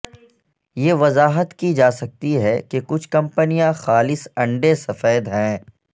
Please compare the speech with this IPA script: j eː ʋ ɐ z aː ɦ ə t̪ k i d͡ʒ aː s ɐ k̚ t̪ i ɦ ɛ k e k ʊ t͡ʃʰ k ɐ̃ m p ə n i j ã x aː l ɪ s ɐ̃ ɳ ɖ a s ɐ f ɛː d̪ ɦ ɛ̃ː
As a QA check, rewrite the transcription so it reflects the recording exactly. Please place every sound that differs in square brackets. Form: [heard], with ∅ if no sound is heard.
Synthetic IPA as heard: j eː ʋ ɐ z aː ɦ ə t̪ k i d͡ʒ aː s ɐ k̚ t̪ i ɦ ɛ k e k ʊ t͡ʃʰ k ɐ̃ m p ə n i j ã x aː l ɪ s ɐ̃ ɳ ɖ [e] s ɐ f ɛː d̪ ɦ ɛ̃ː